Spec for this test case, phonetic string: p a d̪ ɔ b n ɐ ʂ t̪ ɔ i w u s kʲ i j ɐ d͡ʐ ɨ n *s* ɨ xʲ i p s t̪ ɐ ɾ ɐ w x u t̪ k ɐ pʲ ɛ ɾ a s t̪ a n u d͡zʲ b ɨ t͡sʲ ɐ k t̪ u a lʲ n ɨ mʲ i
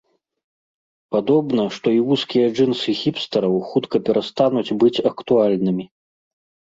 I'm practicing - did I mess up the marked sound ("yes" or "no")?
no